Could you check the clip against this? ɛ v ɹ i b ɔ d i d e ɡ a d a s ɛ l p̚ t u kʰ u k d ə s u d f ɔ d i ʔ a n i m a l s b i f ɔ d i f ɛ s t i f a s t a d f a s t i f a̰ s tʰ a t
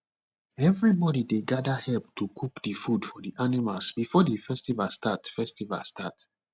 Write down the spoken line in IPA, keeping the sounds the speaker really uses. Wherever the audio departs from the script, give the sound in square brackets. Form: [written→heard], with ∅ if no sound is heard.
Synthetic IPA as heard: ɛ v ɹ i b ɔ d i d e ɡ a d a [s→h] ɛ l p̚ t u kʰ u k d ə [s→f] u d f ɔ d i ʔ a n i m a l s b i f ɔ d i f ɛ s t i [f→v] a s t a [d→t] f [a→ɛ] s t i [f→v] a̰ s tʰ a t